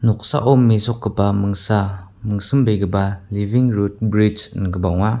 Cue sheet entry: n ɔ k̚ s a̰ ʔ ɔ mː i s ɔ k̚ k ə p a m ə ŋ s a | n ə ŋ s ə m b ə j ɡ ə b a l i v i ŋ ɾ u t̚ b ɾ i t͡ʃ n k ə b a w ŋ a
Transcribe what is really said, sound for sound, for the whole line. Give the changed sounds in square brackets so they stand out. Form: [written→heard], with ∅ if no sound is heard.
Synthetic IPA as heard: n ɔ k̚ s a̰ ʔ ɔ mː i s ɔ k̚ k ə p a m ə ŋ s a | [n→m] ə ŋ s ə m b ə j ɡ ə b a l i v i ŋ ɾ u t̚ b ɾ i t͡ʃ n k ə b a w ŋ a